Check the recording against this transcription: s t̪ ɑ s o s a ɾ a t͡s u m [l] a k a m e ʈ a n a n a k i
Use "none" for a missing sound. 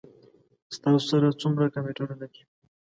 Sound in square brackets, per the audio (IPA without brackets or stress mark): ɾ